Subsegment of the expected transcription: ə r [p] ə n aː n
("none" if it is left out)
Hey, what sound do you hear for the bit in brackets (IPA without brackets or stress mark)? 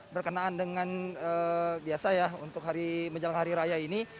k